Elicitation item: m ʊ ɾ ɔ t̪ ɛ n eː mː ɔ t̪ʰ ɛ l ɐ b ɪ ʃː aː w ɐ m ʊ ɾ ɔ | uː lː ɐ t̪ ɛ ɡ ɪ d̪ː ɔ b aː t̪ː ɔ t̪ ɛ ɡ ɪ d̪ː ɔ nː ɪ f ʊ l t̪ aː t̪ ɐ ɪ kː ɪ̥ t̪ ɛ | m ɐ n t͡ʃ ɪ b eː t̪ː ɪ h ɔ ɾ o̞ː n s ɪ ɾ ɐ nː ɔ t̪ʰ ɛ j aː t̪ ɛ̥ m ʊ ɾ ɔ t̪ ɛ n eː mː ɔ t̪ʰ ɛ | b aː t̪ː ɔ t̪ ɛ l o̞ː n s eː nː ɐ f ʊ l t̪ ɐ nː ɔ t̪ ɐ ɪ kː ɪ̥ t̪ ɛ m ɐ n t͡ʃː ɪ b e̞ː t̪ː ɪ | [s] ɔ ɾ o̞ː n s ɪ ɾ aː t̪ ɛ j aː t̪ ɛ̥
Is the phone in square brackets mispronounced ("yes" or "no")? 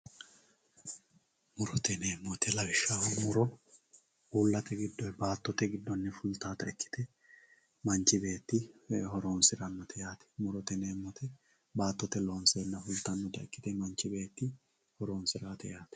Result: yes